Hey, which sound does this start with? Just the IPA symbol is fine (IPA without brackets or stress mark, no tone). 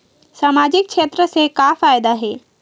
s